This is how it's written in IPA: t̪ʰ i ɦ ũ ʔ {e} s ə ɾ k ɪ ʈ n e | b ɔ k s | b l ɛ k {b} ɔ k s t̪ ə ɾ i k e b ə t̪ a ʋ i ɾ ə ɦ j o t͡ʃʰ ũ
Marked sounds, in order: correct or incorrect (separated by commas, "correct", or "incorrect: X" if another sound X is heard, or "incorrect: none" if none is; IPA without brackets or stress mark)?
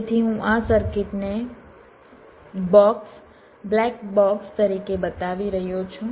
incorrect: a, correct